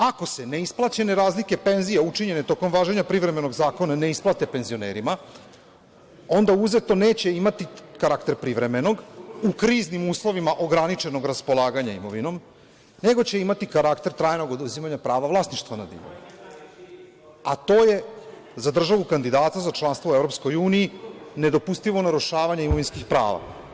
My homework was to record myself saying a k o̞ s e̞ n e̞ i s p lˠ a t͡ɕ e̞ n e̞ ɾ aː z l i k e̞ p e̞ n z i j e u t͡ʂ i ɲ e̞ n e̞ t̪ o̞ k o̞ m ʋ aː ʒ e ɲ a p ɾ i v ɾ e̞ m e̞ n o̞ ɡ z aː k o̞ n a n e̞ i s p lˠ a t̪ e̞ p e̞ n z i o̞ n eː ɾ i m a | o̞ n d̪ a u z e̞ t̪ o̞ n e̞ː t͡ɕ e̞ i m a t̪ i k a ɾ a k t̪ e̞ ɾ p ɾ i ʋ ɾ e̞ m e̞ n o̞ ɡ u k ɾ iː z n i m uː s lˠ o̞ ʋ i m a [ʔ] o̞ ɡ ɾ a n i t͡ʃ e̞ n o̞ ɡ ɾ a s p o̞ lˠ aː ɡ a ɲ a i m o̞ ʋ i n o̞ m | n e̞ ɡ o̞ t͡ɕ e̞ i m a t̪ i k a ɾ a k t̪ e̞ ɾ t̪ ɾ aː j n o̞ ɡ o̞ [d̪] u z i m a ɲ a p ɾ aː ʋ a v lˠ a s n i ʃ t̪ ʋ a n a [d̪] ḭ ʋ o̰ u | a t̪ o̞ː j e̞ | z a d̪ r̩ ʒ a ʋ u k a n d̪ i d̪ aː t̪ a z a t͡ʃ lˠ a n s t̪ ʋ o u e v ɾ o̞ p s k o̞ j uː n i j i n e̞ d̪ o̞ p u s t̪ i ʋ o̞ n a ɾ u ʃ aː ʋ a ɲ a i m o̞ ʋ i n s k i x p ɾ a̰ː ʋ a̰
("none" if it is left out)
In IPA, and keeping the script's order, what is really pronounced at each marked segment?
ʔ, d̪, d̪

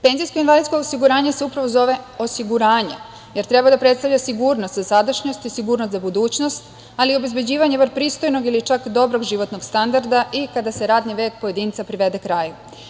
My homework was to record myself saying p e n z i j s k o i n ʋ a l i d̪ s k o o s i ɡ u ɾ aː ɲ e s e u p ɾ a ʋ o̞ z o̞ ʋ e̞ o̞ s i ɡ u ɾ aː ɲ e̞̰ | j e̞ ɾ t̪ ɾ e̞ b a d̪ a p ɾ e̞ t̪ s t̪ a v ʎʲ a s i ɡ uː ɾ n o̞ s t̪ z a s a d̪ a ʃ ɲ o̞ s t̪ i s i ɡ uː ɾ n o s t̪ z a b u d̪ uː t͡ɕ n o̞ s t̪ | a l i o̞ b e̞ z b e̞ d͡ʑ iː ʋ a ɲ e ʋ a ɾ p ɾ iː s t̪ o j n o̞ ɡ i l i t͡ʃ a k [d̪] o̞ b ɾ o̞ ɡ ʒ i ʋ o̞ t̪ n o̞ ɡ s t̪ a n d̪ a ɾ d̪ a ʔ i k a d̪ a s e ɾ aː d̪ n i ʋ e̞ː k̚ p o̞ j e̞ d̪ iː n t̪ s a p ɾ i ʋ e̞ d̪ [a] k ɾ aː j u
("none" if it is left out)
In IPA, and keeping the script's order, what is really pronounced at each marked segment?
d̪, e

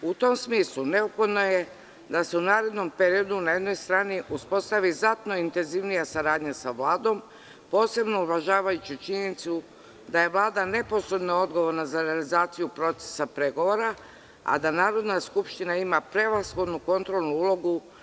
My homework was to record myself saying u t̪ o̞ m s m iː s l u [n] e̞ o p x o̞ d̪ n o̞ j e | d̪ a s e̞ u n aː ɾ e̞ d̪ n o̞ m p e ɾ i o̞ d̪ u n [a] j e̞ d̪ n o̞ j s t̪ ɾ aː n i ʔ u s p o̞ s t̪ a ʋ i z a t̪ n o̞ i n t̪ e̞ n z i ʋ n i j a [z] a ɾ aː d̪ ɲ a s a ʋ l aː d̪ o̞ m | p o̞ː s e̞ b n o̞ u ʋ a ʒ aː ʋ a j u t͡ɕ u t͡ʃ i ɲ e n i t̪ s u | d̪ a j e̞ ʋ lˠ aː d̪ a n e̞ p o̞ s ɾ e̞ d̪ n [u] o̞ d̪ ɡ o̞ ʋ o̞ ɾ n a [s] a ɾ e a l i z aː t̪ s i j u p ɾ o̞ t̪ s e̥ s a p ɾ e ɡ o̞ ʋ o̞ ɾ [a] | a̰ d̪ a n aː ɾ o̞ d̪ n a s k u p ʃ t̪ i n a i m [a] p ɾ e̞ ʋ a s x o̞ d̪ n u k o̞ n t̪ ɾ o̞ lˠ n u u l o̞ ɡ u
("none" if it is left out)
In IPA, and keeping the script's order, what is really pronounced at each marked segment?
n, a, s, o, z, a, a

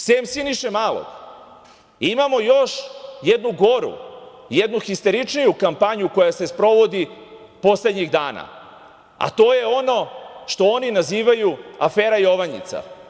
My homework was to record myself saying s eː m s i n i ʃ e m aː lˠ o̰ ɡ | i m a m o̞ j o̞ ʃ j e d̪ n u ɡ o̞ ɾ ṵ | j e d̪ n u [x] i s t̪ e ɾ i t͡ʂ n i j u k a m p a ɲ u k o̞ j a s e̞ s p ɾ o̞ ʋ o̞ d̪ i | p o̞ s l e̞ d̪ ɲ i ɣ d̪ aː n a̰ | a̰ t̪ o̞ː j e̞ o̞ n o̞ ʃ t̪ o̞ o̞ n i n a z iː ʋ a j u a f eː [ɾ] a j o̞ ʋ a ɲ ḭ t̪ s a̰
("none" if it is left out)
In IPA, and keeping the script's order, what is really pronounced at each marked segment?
x, ɾ

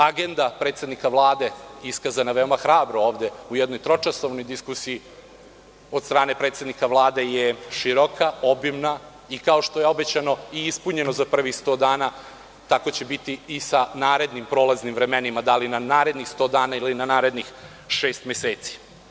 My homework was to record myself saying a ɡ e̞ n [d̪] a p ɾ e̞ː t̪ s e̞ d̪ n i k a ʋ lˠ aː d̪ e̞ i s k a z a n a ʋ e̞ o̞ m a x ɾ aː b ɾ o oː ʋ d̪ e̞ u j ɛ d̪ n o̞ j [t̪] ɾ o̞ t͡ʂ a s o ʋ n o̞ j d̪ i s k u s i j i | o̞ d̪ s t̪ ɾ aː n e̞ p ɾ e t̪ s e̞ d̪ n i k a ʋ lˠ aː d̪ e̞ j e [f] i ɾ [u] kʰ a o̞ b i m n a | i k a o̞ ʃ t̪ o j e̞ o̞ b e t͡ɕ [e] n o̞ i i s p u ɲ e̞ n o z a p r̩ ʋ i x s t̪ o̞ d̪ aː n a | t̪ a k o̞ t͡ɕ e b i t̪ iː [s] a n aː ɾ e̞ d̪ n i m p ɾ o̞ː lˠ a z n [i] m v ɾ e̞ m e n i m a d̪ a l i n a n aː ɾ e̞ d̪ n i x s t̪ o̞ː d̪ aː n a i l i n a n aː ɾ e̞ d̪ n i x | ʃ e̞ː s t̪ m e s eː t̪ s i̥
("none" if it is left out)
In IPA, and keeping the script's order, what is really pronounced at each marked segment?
d̪, t̪, ʃ, o, a, s, i

